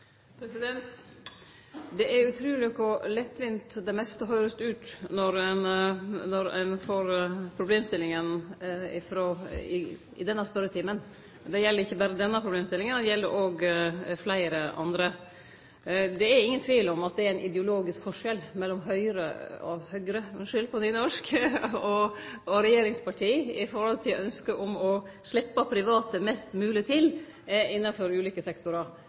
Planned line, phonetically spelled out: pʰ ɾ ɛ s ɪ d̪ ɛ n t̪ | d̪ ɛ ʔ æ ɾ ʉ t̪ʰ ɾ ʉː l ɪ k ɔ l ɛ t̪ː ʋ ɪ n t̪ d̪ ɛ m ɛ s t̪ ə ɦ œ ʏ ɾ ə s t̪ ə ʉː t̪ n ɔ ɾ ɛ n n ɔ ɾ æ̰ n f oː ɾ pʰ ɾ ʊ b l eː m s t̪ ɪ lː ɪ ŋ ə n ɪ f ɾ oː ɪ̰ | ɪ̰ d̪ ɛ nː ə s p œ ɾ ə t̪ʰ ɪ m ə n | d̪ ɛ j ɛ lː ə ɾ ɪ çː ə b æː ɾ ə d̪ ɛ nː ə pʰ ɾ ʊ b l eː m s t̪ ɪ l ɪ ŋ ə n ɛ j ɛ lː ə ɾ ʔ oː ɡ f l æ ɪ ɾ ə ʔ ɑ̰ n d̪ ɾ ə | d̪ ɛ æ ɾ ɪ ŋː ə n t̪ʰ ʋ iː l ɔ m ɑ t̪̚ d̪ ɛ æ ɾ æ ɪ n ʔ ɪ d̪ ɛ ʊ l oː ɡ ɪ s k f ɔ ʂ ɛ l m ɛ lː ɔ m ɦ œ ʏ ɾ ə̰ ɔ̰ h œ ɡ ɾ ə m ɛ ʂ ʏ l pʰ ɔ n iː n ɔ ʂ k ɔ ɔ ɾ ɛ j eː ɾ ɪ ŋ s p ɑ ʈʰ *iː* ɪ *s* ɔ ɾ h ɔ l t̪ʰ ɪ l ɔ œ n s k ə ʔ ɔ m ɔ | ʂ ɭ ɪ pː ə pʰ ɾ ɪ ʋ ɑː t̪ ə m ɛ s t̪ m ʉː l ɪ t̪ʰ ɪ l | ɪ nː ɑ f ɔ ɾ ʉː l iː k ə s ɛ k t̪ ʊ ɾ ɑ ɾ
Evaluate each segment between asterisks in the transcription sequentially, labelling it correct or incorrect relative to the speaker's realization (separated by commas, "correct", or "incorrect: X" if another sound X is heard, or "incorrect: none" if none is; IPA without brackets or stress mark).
correct, incorrect: f